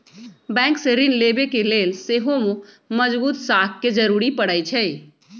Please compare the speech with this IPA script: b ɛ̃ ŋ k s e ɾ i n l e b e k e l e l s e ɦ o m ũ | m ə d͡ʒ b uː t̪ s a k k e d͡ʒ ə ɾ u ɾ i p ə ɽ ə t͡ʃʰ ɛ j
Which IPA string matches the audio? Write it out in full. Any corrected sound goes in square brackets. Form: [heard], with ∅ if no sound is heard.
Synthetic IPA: b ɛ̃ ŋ k s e ɾ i n l e b e k e l e l s e ɦ o m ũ | m ə d͡ʒ b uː t̪ s a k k e d͡ʒ ə ɾ u ɾ i p ə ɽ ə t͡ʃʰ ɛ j

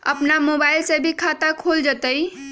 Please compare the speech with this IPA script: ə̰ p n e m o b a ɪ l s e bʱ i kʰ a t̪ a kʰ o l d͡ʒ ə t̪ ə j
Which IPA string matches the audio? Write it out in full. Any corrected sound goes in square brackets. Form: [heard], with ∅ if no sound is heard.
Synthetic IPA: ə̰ p n [a] m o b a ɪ l s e bʱ i kʰ a t̪ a kʰ o l d͡ʒ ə t̪ ə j

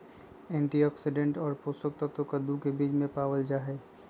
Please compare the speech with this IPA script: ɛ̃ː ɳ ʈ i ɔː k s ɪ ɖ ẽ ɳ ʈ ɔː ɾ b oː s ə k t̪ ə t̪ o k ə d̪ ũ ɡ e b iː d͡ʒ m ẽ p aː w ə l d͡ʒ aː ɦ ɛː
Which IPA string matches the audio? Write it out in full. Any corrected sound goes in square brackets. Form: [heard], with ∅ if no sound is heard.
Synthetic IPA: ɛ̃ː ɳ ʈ i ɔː k s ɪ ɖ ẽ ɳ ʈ ɔː ɾ [p] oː s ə k t̪ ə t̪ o k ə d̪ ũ [k] e b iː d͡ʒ m ẽ p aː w ə l d͡ʒ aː ɦ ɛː

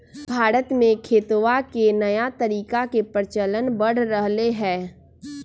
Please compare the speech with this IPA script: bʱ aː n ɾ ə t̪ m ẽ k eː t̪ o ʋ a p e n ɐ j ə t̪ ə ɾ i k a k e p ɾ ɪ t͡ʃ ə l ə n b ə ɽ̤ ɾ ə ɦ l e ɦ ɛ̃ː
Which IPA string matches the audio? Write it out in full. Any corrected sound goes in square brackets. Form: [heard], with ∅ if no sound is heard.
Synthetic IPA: bʱ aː [∅] ɾ ə t̪ m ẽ [kʰ] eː t̪ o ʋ a [k] e n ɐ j [a] t̪ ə ɾ [iː] k a k e p ɾ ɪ t͡ʃ ə l ə n b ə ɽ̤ ɾ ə ɦ l e ɦ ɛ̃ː

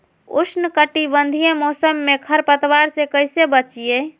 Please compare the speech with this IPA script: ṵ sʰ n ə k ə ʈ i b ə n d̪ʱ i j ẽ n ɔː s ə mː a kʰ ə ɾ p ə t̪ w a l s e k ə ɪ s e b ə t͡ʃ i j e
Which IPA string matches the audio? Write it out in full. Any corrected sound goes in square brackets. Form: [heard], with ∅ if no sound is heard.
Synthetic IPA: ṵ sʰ n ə k ə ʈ i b ə n d̪ʱ i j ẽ [m] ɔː s ə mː [e] kʰ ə ɾ p ə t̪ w a [ɾ] s e k ə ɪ s e b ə t͡ʃ i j e

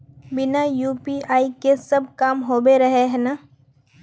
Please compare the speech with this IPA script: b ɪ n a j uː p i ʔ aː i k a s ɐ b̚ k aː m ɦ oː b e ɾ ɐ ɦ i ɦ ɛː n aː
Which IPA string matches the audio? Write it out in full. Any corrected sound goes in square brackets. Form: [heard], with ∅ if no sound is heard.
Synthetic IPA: b ɪ n a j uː p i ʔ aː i k [e] s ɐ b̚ k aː m ɦ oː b e ɾ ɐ ɦ [e] ɦ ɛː n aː

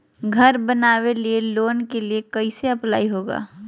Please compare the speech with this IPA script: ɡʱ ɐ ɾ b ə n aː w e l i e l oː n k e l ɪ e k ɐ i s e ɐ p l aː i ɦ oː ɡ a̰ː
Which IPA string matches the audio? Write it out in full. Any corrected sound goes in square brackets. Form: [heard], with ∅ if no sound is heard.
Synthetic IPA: ɡʱ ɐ ɾ b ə n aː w e l i e l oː n k e l [i] e k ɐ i s e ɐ p l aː i ɦ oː ɡ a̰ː

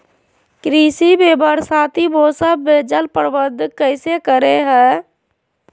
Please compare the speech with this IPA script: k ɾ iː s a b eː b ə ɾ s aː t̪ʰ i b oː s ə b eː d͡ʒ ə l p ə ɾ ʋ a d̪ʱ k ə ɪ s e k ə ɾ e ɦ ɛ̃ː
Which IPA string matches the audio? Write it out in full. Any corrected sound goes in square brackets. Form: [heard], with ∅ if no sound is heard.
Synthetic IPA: k ɾ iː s [i] b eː b ə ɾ s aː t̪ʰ i b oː s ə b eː d͡ʒ ə l p ə ɾ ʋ [ə] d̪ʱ k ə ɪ s e k ə ɾ e ɦ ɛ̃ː

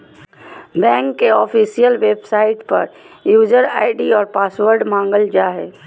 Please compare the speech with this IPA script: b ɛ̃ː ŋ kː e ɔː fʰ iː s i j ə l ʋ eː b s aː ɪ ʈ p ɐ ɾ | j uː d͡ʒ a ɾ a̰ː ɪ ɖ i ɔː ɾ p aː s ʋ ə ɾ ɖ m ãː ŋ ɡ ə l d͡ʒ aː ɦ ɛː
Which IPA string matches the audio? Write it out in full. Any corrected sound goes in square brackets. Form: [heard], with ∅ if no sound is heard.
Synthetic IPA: b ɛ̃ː ŋ kː e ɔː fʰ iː s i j ə l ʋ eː b s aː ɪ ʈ p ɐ ɾ | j uː d͡ʒ [ə] ɾ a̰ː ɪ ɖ i ɔː ɾ p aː s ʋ ə ɾ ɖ m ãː ŋ ɡ ə l d͡ʒ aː ɦ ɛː

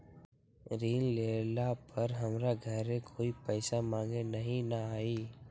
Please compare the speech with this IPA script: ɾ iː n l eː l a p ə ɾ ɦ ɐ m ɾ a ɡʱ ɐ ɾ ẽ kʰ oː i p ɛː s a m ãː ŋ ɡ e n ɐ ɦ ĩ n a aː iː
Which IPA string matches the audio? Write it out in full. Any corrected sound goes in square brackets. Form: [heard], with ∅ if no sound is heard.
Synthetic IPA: ɾ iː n l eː l a p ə ɾ ɦ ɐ m ɾ a ɡʱ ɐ ɾ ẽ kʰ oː i p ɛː s a m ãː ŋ ɡ e n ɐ ɦ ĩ n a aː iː

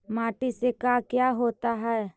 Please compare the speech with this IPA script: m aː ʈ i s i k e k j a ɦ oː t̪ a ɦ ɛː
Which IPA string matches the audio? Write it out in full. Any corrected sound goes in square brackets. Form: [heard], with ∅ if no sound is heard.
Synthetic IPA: m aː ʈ i s [e] k [a] k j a ɦ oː t̪ a ɦ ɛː

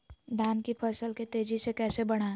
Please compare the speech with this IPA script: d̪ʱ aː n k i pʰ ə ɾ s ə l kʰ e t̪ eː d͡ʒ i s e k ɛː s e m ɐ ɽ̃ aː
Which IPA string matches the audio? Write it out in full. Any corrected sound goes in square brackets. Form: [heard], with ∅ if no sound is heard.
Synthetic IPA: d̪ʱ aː n k i pʰ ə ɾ s ə l [k] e t̪ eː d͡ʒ i s e k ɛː s e [b] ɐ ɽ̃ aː

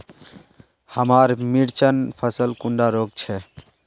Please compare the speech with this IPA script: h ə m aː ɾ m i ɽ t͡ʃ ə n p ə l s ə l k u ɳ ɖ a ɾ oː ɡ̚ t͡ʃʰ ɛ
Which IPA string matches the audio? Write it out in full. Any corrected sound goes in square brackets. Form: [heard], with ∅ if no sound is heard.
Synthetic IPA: h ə m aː ɾ m i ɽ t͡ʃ ə n [pʰ] ə [∅] s ə l k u ɳ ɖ a ɾ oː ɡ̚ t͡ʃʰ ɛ

